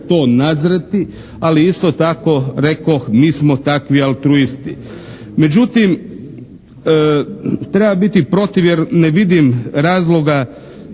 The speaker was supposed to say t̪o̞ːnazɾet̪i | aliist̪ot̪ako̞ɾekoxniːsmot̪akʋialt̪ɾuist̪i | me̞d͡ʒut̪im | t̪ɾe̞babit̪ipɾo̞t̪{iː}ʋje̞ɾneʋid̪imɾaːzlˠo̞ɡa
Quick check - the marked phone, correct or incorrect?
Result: incorrect: i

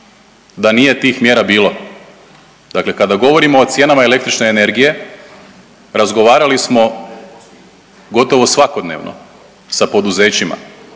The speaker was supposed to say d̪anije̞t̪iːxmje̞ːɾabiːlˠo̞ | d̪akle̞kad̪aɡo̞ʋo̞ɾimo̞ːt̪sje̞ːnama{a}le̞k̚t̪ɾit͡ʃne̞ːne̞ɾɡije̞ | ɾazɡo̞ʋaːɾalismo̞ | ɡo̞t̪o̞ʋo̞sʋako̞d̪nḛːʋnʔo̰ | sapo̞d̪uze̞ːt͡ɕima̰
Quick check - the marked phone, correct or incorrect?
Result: incorrect: e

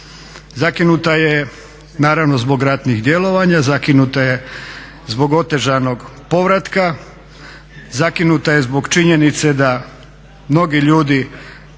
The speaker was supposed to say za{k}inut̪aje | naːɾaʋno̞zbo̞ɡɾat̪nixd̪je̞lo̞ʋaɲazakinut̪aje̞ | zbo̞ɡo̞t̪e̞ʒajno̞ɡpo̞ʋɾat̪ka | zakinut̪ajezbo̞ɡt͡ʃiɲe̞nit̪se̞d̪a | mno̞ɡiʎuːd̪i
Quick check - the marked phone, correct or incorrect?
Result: correct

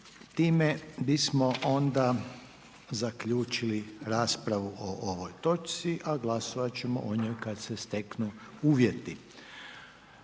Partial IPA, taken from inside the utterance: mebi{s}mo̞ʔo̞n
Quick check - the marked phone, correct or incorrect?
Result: correct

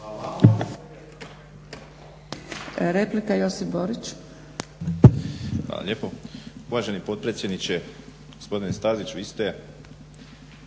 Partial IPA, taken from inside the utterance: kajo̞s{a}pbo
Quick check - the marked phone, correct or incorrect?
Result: incorrect: i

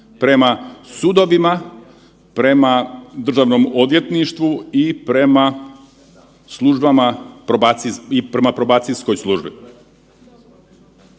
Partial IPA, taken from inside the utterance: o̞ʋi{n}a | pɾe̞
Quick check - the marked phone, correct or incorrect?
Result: incorrect: m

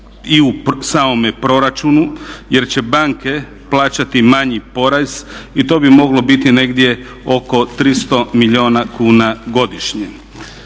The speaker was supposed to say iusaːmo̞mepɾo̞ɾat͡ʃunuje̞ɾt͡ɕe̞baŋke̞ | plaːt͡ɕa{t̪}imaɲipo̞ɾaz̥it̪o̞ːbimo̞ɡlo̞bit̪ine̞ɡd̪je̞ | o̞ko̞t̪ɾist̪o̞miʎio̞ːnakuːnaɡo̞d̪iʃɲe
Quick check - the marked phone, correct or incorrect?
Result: correct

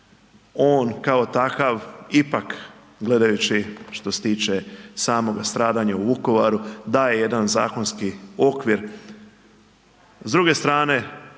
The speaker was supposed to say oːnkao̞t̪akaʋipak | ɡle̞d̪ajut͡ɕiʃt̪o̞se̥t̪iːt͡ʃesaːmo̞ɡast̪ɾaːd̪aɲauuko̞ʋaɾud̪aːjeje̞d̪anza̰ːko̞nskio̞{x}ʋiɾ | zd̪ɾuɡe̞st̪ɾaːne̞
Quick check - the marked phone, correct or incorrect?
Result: incorrect: k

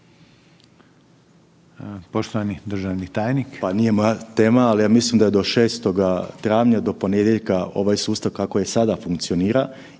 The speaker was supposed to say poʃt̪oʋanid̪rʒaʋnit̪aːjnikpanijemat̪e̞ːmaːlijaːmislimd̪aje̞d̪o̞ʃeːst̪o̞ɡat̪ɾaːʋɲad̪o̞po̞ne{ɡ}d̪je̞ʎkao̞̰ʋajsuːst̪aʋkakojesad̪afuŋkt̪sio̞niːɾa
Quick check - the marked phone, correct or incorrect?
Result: incorrect: none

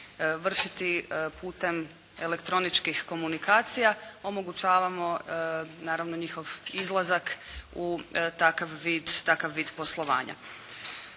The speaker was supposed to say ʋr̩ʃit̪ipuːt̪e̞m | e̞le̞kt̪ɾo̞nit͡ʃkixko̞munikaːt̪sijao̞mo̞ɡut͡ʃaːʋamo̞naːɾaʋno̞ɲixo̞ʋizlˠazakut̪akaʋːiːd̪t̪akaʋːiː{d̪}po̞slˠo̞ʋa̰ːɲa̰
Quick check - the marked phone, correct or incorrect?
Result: correct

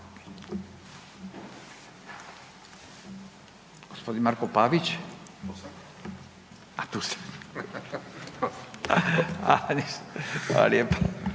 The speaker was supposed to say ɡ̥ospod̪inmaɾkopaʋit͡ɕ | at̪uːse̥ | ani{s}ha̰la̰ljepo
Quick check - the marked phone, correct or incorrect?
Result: correct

